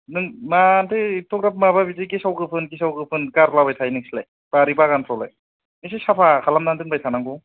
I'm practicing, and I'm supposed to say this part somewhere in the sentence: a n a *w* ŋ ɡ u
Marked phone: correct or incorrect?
incorrect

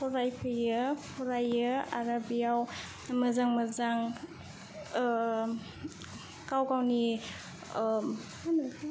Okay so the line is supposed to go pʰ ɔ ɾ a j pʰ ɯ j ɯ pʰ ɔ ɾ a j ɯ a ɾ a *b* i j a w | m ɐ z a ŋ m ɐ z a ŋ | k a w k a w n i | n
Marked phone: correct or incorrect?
correct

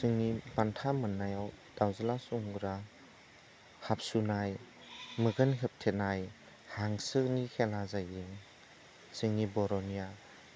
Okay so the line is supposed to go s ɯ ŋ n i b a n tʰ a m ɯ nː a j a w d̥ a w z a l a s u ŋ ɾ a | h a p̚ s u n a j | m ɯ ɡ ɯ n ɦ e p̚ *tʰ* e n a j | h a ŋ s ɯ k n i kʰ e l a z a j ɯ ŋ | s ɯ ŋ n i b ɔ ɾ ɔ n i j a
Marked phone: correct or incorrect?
correct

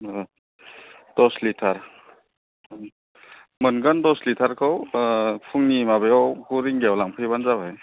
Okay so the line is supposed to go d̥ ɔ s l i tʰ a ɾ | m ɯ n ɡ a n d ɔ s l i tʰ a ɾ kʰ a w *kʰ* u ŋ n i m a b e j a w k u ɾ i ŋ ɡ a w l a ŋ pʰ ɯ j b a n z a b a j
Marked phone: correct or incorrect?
incorrect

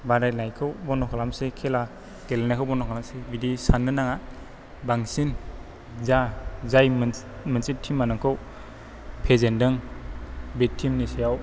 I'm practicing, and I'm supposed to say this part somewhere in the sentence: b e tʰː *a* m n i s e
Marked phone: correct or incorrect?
incorrect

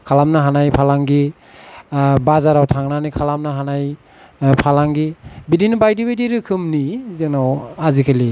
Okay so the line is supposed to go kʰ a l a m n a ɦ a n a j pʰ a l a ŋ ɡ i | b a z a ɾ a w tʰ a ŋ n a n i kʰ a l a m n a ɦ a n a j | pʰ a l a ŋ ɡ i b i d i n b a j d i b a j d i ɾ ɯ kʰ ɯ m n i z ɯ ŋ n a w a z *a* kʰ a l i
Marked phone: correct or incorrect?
incorrect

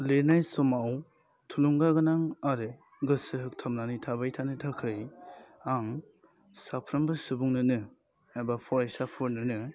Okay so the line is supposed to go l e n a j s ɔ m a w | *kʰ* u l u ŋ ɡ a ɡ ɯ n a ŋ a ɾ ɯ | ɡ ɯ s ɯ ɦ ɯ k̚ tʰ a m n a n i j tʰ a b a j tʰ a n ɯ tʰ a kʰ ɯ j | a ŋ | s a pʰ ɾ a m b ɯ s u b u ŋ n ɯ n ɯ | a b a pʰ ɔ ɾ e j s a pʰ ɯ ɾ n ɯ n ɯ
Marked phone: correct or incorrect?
incorrect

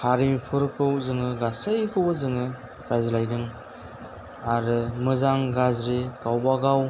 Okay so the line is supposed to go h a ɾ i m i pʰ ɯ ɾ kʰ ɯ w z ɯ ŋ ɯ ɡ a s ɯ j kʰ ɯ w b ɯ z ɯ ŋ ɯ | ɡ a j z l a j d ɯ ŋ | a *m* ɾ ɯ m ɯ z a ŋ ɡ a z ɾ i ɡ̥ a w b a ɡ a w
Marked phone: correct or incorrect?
incorrect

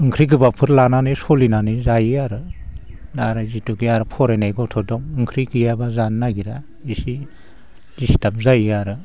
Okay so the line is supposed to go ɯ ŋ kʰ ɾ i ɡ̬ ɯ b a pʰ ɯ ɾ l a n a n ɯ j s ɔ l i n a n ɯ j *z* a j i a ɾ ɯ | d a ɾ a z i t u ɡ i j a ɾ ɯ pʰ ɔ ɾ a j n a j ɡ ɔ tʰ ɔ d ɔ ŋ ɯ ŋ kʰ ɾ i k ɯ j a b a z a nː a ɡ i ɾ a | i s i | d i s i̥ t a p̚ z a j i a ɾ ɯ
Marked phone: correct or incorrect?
correct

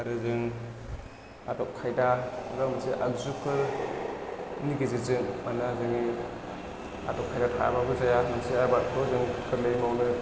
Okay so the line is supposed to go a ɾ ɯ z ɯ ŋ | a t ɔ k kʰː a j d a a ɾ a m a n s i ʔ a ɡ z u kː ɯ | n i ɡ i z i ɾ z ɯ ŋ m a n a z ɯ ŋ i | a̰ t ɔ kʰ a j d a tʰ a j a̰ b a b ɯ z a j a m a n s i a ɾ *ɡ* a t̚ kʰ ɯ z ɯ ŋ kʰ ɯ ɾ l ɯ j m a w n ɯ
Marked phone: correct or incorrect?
incorrect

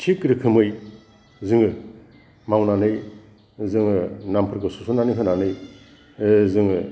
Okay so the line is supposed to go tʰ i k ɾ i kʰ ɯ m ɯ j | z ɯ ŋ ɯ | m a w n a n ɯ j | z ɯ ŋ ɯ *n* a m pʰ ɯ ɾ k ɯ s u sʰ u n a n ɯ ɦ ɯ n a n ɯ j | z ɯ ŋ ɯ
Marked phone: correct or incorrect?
correct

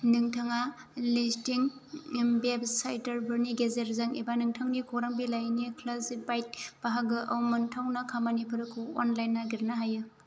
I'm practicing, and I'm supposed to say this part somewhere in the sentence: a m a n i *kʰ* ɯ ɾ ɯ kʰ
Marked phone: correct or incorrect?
incorrect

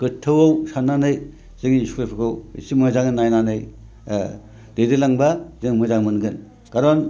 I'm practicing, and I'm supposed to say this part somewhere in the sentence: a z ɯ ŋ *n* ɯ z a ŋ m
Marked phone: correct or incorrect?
incorrect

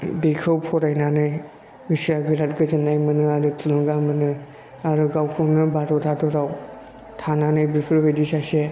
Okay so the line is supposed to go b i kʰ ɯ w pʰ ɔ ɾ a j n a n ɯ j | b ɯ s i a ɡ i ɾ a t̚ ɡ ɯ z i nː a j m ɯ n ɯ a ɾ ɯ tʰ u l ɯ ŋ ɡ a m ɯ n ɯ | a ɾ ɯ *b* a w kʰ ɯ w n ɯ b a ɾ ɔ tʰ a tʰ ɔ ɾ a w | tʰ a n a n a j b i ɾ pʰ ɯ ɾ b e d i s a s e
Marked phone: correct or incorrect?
incorrect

